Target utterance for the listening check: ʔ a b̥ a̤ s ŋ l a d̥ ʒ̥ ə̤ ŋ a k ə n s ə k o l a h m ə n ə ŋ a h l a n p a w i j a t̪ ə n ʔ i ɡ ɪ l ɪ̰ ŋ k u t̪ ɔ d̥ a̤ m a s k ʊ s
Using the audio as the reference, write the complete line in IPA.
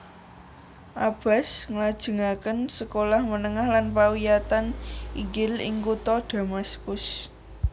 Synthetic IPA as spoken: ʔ a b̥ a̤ s ŋ l a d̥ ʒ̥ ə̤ ŋ a k ə n s ə k o l a h m ə n ə ŋ a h l a n p a w i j a t̪ a n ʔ i ɡ ɪ l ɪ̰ ŋ k u t̪ ɔ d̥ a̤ m a s k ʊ s